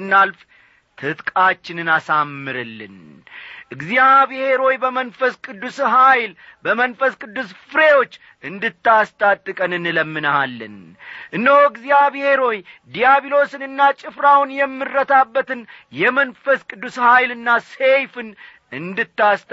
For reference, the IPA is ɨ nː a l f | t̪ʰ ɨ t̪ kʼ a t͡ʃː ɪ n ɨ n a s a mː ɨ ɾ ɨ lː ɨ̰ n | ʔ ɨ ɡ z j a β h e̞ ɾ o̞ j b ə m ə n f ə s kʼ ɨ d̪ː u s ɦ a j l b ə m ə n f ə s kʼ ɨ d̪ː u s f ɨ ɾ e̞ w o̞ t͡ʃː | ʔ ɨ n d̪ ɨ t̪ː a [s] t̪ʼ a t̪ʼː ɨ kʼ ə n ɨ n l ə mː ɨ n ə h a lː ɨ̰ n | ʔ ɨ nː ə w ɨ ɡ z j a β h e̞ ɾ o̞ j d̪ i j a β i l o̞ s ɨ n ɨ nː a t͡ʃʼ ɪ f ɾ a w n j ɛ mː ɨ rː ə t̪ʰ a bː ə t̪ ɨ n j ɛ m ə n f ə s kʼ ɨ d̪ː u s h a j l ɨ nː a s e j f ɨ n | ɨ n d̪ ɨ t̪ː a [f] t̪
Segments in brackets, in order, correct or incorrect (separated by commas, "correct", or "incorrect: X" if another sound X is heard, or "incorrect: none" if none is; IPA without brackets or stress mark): correct, incorrect: s